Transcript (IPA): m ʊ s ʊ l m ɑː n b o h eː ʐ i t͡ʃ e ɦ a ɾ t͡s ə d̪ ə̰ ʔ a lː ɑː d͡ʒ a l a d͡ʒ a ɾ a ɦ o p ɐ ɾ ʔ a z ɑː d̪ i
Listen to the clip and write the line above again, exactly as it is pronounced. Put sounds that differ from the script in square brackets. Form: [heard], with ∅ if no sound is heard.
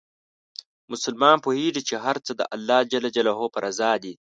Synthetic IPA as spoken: m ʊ s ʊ l m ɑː n [p] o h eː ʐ i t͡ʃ e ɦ a ɾ t͡s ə d̪ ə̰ ʔ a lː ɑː d͡ʒ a l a d͡ʒ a [l] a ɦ o p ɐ ɾ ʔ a z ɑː d̪ i